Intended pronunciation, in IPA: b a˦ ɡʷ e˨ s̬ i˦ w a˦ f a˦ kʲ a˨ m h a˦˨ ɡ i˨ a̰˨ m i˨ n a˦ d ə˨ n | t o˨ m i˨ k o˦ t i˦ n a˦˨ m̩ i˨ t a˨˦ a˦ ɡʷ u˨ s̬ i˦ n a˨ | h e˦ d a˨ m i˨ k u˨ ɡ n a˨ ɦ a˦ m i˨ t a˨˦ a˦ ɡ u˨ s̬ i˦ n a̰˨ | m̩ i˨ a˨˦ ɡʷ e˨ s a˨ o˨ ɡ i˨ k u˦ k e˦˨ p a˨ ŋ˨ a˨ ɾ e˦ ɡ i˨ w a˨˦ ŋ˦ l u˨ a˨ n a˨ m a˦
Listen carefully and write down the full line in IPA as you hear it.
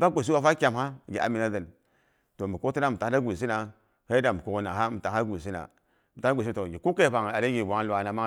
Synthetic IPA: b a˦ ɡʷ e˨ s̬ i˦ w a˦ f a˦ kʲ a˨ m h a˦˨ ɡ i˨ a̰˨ m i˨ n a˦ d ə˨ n | t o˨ m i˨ k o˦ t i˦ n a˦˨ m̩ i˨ t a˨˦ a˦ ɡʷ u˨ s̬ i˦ n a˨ | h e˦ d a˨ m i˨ k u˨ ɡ n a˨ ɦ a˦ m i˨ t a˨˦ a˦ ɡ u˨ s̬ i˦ n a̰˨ | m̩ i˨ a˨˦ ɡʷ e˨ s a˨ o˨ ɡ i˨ k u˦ k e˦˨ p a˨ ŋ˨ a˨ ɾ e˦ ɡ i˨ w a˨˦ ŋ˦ l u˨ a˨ n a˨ m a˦